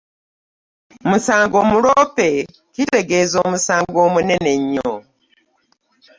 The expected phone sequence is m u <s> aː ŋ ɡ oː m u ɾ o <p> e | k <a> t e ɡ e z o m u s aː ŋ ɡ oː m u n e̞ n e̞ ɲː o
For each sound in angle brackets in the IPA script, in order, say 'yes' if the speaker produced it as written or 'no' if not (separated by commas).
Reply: yes, yes, no